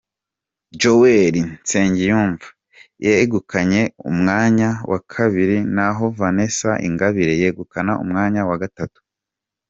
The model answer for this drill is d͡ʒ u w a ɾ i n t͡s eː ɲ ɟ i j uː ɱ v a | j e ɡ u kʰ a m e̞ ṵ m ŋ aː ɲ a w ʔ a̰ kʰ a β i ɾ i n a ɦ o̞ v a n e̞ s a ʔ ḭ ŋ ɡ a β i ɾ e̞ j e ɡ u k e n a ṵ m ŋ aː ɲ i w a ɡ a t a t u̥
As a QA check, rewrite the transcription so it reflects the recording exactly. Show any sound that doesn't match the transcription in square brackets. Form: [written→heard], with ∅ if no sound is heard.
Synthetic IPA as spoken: d͡ʒ [u→o] w [a→e] ɾ i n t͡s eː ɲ ɟ i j uː ɱ v a | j e ɡ u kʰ a [m→ɲ] e̞ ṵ m ŋ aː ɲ a w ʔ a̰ kʰ a β i ɾ i n a ɦ o̞ v a n e̞ s a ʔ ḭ ŋ ɡ a β i ɾ e̞ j e ɡ u k [e→a] n a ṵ m ŋ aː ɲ [i→a] w a ɡ a t a t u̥